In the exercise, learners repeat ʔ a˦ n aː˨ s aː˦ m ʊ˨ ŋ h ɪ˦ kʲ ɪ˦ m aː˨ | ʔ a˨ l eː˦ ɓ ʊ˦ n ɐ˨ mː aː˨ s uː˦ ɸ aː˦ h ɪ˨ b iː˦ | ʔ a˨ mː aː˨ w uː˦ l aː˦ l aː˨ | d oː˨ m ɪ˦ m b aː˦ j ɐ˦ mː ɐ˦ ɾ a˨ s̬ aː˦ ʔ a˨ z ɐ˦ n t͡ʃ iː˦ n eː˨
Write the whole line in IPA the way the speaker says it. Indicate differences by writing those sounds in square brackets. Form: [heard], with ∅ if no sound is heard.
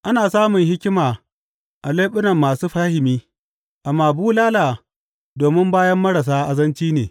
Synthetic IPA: ʔ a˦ n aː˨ s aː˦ m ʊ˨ ŋ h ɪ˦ kʲ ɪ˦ m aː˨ | ʔ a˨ l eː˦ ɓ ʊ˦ n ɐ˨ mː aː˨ s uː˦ ɸ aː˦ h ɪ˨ [m] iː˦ | ʔ a˨ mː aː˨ [b] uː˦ l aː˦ l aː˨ | d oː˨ m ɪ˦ m b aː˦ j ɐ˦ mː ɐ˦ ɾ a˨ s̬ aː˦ ʔ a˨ z ɐ˦ n t͡ʃ iː˦ n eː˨